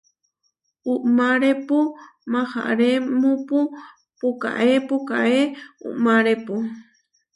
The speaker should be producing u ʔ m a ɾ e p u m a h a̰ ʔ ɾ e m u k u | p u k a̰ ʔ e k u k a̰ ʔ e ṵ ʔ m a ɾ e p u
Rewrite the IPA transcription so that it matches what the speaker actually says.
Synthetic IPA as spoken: u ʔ m a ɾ e p u m a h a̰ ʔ ɾ e m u p u | p u k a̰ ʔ e p u k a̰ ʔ e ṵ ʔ m a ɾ e p u